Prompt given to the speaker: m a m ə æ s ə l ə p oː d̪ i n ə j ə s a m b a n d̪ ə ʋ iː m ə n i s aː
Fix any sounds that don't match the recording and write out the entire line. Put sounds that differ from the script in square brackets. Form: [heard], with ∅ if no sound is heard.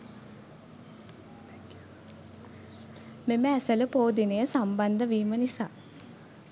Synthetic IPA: m [e] m ə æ s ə l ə p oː d̪ i n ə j ə s a m b a n d̪ ə ʋ iː m ə n i s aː